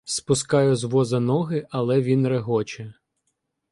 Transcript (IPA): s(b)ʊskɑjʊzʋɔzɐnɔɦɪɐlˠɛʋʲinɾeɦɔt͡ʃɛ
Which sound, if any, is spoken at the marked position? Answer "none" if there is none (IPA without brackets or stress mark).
p